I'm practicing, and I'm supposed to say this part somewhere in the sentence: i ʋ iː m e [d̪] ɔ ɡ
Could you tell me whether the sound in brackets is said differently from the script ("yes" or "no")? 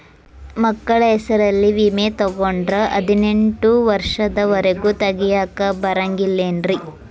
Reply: yes